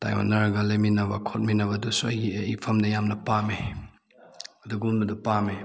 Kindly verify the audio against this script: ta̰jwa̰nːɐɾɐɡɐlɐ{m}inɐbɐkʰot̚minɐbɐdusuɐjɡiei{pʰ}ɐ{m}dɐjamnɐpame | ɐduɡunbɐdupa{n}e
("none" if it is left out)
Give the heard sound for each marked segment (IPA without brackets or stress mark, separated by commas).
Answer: m, pʰ, m, m